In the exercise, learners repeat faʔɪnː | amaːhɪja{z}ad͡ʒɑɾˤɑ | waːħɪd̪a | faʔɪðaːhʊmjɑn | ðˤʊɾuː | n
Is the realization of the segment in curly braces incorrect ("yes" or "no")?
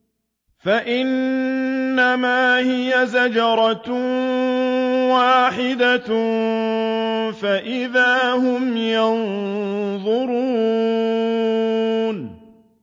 no